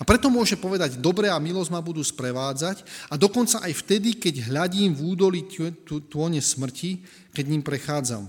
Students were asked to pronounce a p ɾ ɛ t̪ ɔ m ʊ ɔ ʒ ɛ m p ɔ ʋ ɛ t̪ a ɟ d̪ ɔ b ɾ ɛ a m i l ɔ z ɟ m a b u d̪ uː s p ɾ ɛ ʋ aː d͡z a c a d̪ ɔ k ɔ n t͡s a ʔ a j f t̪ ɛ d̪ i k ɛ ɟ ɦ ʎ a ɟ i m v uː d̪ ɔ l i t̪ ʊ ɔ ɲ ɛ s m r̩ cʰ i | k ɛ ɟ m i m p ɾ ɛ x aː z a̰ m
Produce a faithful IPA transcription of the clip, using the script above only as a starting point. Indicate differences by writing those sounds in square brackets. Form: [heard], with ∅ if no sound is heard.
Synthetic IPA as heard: a p ɾ ɛ t̪ ɔ m ʊ ɔ ʒ ɛ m p ɔ ʋ ɛ [d̪] a ɟ d̪ ɔ b ɾ ɛ a m i l ɔ z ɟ m a b u d̪ uː s p ɾ ɛ ʋ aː d͡z a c a d̪ ɔ k ɔ n t͡s a ʔ a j f t̪ ɛ d̪ i k ɛ ɟ ɦ ʎ a ɟ [iː] m v uː d̪ ɔ l i t̪ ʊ ɔ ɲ ɛ s m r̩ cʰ i | k ɛ ɟ [ɲ] i m p ɾ ɛ x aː [d͡z] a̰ m